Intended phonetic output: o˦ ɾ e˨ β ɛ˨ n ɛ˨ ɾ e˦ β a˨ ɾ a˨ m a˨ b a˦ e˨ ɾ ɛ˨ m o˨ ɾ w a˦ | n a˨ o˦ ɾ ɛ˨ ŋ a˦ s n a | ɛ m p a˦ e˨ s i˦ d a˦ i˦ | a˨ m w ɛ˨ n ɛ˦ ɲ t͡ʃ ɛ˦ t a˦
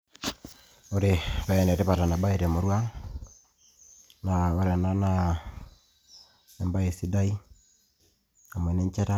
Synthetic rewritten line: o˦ ɾ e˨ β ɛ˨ n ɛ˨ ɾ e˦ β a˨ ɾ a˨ n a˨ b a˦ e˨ ɾ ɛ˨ m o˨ ɾ w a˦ | n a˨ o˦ ɾ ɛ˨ n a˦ n a | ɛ m b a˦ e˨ s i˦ d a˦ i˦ | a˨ m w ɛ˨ n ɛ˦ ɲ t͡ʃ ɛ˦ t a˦